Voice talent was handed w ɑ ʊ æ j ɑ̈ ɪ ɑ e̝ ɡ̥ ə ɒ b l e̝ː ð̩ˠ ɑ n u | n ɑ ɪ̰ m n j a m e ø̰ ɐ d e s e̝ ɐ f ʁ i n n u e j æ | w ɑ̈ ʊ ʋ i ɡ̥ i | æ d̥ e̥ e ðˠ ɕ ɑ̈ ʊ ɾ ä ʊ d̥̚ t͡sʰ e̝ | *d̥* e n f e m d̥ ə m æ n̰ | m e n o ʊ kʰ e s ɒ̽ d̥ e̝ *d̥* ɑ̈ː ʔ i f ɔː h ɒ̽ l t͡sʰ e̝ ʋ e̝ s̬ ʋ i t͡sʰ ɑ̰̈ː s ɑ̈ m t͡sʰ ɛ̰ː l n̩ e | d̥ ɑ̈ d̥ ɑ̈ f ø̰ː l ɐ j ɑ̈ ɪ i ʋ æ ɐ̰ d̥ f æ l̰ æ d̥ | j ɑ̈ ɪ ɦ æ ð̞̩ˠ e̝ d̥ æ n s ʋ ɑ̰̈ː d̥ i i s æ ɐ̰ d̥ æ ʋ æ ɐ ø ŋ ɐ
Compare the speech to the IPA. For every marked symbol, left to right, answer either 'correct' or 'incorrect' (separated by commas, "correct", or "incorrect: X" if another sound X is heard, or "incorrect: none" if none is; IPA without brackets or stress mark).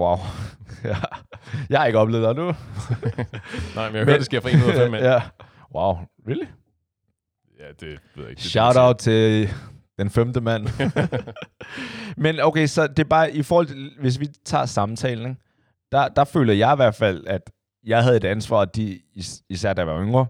correct, incorrect: b̥